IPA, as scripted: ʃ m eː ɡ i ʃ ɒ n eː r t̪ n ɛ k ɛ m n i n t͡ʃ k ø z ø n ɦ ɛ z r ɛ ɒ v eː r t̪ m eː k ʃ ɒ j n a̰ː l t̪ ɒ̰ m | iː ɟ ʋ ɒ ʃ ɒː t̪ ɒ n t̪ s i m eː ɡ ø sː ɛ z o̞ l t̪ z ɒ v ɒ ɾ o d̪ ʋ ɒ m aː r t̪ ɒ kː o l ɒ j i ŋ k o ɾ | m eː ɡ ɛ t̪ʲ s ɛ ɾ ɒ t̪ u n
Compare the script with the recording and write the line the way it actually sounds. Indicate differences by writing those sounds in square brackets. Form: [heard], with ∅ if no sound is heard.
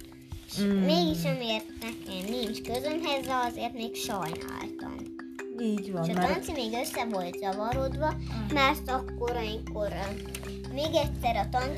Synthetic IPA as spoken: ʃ m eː ɡ i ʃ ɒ [m] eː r t̪ n ɛ k ɛ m n i n t͡ʃ k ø z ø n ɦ ɛ z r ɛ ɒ [z] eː r t̪ m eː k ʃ ɒ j n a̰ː l t̪ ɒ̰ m | iː ɟ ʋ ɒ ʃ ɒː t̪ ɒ n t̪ s i m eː ɡ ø sː ɛ [v] o̞ l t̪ z ɒ v ɒ ɾ o d̪ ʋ ɒ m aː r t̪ ɒ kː o [ɾ] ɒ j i ŋ k o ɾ | m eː ɡ ɛ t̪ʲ s ɛ ɾ ɒ t̪ [ɒ] n